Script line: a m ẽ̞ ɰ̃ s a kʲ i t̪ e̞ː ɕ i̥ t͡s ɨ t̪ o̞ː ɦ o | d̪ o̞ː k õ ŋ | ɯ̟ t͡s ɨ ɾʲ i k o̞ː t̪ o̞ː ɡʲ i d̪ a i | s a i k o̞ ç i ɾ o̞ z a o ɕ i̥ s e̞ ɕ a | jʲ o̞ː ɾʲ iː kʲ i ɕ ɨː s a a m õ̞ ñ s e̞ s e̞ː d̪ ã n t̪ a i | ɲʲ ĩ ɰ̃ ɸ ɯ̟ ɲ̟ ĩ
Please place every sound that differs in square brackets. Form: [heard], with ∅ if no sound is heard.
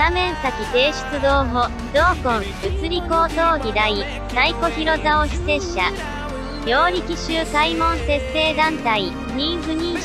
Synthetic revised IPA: a m ẽ̞ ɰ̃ s a kʲ i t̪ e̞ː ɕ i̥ t͡s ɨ [d̪] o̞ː ɦ o | d̪ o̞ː k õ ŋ | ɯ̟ t͡s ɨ ɾʲ i k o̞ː t̪ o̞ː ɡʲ i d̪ a i | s a i k o̞ ç i ɾ o̞ z a o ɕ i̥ s e̞ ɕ a | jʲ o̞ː ɾʲ [i] kʲ i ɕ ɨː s a [i] m õ̞ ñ s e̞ s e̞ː d̪ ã n t̪ a i | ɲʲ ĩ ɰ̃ ɸ ɯ̟ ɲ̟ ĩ